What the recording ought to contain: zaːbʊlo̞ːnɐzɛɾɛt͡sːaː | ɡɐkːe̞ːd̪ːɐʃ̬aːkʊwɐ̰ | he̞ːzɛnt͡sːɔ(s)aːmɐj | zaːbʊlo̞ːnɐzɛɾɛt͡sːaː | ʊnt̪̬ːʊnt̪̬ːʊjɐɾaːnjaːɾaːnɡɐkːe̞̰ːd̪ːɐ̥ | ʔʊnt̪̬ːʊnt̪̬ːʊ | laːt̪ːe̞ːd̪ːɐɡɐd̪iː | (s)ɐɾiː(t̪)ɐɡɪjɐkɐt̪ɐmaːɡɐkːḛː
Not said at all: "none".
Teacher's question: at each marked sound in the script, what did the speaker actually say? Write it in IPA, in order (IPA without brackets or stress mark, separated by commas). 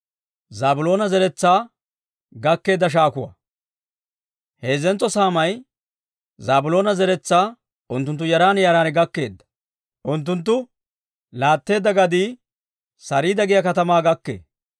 s, s, d̪